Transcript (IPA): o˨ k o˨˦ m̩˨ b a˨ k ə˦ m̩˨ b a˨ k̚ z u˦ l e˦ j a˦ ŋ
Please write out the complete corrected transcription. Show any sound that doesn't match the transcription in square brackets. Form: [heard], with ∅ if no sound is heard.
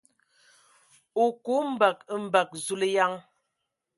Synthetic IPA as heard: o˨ k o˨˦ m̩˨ b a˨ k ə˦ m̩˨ b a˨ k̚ z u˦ l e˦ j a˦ ŋ